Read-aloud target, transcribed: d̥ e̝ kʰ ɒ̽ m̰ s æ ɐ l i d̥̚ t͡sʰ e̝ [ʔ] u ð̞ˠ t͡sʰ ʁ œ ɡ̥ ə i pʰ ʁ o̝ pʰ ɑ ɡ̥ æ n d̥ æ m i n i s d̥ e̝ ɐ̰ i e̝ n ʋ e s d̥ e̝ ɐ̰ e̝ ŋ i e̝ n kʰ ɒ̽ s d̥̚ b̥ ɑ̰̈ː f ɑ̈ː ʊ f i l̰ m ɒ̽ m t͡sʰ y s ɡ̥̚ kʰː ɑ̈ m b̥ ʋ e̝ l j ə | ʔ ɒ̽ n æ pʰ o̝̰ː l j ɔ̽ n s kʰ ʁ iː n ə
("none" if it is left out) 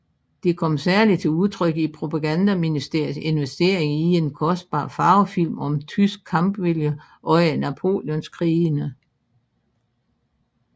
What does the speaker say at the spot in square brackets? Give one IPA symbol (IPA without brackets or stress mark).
none